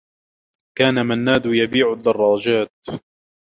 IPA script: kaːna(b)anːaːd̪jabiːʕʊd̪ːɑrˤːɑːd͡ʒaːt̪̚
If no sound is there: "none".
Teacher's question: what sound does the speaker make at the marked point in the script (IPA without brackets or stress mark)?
m